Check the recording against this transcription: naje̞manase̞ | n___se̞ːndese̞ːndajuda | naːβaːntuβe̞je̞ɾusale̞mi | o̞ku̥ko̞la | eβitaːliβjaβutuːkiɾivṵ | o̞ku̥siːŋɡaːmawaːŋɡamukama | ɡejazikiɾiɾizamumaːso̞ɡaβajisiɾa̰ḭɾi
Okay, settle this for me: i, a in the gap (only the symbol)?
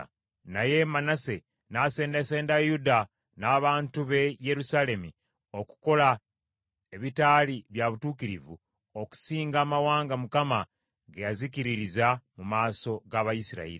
a